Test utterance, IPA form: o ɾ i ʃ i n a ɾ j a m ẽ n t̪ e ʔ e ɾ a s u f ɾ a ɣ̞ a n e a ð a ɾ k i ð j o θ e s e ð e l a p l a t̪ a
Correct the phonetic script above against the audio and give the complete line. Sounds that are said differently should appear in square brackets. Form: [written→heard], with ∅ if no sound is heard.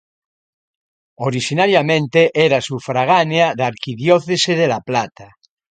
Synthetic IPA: o ɾ i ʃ i n a ɾ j a m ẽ n t̪ e ʔ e ɾ a s u f ɾ a ɣ̞ a n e a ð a ɾ k i ð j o θ e s e ð e l a p l a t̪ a